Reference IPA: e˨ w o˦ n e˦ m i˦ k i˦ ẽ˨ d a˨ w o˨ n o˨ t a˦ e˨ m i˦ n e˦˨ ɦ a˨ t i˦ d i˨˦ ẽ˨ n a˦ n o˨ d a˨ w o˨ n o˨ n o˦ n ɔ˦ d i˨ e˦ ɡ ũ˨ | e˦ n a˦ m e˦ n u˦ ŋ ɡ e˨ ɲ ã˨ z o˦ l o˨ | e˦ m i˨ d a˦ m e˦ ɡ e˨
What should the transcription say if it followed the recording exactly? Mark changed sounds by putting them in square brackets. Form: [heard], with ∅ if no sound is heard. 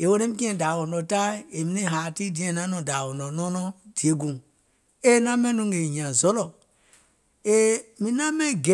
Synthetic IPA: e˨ w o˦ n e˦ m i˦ k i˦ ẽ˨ d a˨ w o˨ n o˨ t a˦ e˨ m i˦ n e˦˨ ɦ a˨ t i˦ d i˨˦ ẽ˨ n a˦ n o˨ d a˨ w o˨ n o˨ n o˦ n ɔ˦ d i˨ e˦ ɡ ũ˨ | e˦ n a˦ m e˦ n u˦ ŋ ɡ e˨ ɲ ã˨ z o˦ l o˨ | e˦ m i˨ [n] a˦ m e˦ ɡ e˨